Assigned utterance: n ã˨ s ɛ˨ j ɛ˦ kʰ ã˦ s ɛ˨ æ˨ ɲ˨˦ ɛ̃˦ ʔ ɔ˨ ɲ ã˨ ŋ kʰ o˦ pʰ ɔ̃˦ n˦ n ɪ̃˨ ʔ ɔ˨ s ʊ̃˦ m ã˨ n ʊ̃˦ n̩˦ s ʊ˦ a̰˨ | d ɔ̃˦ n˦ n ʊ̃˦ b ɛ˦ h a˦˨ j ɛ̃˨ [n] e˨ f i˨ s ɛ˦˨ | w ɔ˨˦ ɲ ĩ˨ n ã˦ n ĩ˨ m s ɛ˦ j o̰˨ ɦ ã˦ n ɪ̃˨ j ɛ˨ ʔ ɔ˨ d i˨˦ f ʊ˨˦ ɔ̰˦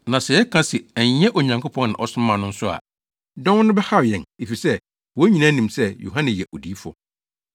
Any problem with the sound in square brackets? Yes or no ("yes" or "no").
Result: no